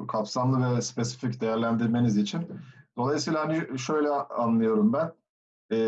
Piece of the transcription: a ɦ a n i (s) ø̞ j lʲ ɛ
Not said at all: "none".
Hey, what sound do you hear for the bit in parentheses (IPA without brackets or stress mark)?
ʃ